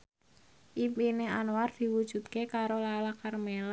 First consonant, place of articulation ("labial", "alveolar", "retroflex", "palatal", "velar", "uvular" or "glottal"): glottal